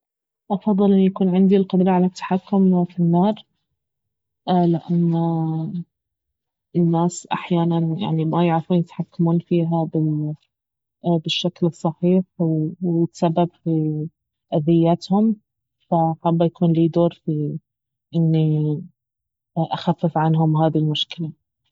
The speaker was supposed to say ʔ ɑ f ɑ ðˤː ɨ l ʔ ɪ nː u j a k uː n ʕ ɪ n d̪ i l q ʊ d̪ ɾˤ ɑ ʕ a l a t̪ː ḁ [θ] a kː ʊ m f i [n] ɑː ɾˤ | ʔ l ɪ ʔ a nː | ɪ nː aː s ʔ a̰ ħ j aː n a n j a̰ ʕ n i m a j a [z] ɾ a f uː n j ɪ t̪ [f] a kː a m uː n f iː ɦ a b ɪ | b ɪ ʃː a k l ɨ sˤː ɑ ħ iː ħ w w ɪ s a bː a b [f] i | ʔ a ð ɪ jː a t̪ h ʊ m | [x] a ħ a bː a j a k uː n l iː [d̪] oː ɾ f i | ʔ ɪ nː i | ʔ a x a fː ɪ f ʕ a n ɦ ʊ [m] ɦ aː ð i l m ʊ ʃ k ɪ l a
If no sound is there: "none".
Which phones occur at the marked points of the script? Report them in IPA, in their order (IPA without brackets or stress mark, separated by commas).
ħ, nː, ʕ, ħ, f, f, d̪, m